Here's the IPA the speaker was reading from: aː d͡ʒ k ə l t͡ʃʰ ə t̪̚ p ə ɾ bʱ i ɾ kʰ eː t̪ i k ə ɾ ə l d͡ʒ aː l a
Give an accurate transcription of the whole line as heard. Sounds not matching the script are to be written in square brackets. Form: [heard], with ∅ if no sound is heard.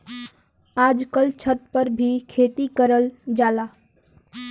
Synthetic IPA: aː d͡ʒ k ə l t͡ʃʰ ə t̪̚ p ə ɾ bʱ i [∅] kʰ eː t̪ i k ə ɾ ə l d͡ʒ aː l a